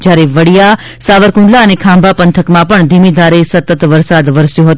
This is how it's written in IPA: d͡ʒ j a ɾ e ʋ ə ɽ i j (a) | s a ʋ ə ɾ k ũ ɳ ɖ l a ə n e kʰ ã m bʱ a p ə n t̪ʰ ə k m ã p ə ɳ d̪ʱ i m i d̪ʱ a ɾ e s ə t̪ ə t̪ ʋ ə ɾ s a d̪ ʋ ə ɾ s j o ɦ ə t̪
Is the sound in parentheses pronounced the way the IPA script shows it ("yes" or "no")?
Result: yes